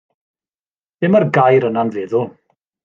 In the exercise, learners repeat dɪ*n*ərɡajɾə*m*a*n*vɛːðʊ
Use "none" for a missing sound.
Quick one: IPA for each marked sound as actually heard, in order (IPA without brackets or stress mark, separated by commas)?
m, n, n